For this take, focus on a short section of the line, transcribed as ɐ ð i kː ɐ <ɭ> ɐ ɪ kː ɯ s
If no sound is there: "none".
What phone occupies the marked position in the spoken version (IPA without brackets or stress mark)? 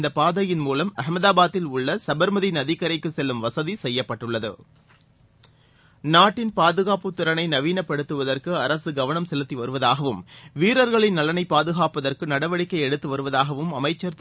ɾ